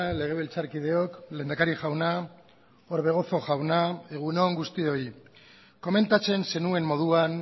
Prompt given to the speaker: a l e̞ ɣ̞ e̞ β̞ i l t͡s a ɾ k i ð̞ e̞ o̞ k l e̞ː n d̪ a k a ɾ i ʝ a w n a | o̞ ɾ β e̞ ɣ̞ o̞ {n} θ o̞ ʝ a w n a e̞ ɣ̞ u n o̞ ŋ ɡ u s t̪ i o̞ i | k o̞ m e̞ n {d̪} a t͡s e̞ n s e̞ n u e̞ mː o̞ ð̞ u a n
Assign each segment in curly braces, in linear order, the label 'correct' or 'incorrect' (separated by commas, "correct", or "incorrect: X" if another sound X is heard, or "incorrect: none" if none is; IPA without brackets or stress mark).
incorrect: none, incorrect: t̪